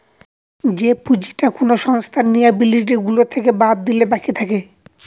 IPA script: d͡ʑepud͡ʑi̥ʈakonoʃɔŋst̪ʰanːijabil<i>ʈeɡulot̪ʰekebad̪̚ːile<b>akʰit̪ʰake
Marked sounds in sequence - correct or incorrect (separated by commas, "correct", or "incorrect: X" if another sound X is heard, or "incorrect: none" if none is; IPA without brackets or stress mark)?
correct, correct